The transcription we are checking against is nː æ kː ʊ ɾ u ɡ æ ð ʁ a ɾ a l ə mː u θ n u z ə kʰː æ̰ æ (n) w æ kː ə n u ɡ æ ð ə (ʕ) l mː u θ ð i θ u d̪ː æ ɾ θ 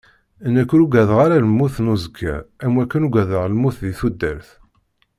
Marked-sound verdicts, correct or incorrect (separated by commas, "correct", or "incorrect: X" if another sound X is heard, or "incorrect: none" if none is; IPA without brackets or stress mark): incorrect: m, incorrect: ʁ